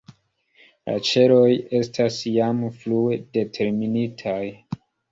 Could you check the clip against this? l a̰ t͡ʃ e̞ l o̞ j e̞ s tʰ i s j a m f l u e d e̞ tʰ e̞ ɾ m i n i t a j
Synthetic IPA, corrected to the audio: l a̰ t͡ʃ e̞ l o̞ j e̞ s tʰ a s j a m f l u e d e̞ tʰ e̞ ɾ m i n i tʰ a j